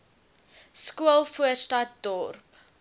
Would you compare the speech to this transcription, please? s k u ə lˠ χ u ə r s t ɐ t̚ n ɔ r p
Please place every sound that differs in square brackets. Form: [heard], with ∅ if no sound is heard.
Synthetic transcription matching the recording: s k u ə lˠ [f] u ə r s t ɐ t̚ [d] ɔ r p